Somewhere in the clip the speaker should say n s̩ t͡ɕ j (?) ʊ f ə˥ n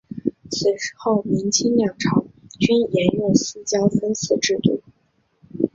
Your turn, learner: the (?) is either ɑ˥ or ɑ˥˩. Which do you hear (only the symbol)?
ɑ˥